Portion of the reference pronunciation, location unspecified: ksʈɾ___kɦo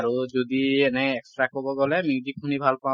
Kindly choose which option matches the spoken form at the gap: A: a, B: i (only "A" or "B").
A